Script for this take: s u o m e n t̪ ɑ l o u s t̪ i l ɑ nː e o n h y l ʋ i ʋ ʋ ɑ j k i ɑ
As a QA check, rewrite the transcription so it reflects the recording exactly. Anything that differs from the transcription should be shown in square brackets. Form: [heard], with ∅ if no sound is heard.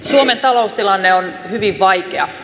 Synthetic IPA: s u o m e n t̪ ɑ l o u s t̪ i l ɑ nː e o n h y [∅] ʋ i ʋ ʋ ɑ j k [e] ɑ